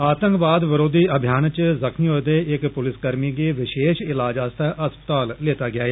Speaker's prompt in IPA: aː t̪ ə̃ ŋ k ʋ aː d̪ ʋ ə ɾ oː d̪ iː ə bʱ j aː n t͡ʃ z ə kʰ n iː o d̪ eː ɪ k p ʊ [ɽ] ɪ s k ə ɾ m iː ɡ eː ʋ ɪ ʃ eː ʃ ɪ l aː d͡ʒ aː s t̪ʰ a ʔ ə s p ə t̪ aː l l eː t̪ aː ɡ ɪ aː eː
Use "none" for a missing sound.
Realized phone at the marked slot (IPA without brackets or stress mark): l